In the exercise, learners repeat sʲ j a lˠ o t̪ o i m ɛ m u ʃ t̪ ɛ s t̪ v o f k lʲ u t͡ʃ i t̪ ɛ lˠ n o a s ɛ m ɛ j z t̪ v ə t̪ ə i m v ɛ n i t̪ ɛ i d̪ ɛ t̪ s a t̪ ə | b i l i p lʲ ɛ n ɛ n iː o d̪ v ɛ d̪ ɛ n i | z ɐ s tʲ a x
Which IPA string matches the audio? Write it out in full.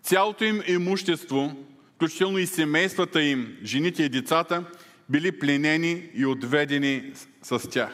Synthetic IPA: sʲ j a lˠ o t̪ o i m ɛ m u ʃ t̪ ɛ s t̪ v o f k lʲ u t͡ʃ i t̪ ɛ lˠ n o i s ɛ m ɛ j s t̪ v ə t̪ ə i m ʒ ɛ n i t̪ ɛ i d̪ ɛ t̪ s a t̪ ə | b i l i p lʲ ɛ n ɛ n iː o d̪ v ɛ d̪ ɛ n i | s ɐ s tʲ a x